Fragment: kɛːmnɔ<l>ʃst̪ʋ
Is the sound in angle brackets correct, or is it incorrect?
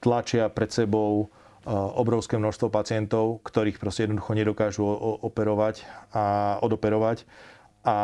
incorrect